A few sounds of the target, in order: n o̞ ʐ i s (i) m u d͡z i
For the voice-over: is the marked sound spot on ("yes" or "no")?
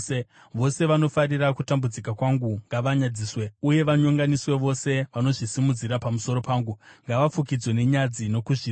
yes